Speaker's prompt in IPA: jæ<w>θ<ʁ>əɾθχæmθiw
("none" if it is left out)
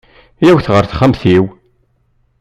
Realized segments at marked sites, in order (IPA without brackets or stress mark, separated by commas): w, ʁ